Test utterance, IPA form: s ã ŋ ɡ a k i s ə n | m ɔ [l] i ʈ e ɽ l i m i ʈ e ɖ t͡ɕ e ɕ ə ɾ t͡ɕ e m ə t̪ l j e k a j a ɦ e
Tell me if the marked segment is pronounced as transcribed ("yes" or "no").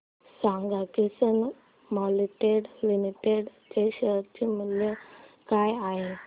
yes